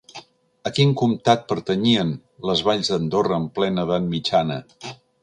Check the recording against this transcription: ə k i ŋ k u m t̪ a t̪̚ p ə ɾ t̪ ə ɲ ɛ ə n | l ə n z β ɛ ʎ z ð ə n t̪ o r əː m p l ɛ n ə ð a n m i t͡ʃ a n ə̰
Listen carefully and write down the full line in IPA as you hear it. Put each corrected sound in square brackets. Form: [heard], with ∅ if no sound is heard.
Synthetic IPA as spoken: ə k i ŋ k u m t̪ a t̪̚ p ə ɾ t̪ ə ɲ [i] ə n | l ə [∅] z β [a] ʎ z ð ə n [d̪] o r əː m p l ɛ n ə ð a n m i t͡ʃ a n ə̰